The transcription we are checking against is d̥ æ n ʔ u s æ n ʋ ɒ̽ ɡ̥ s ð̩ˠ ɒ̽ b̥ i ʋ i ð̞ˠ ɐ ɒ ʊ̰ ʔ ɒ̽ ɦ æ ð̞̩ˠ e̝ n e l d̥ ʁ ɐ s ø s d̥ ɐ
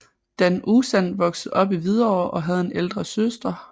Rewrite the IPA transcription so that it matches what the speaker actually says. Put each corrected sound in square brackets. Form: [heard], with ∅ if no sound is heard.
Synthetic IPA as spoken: d̥ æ n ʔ u s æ n ʋ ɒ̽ ɡ̥ s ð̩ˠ ɒ̽ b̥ i ʋ i ð̞ˠ ɐ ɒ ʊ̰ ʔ ɒ̽ ɦ æ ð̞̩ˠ e̝ n e l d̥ ʁ ɐ s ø s d̥ ɐ